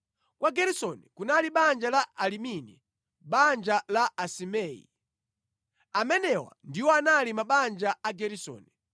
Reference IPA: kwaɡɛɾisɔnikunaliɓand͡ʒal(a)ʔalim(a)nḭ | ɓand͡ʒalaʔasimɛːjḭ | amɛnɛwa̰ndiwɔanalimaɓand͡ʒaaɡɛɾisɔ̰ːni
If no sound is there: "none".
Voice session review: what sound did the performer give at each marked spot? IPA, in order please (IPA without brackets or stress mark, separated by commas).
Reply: a, i